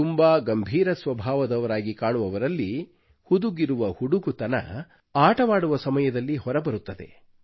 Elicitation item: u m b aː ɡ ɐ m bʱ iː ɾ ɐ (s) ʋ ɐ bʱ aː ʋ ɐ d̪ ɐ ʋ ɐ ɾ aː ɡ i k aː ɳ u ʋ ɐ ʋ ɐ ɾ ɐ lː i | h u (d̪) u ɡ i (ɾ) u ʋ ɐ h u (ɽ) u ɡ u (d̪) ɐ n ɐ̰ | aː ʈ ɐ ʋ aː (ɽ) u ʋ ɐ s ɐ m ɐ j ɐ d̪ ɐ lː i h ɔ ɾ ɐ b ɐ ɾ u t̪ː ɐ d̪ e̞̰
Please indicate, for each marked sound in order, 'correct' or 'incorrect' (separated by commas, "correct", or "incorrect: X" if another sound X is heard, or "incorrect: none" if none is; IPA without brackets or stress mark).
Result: correct, correct, correct, correct, incorrect: t̪, correct